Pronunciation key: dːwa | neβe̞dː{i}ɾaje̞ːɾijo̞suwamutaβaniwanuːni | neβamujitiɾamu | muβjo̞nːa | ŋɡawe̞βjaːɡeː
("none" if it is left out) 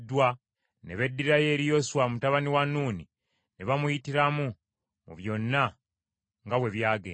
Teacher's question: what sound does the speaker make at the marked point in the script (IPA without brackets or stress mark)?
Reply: i